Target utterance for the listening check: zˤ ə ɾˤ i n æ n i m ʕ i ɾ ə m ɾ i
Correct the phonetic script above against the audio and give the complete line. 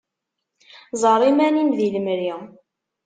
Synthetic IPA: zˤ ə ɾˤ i m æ n i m ð i l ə m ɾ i